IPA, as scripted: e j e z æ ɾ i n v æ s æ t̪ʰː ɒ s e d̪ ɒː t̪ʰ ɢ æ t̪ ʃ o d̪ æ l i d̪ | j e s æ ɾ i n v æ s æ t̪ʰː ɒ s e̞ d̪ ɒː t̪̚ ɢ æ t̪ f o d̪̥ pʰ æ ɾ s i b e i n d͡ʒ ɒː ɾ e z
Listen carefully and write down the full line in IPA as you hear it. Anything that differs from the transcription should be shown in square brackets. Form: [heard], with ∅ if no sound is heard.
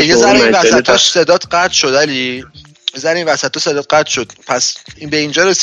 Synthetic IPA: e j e z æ ɾ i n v æ s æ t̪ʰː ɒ s e d̪ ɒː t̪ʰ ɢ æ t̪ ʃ o d̪ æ l i [∅] | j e [z] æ ɾ i n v æ s æ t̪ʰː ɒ s e̞ d̪ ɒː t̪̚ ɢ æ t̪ [ʃ] o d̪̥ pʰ æ [∅] s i b e i n d͡ʒ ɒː ɾ e [s]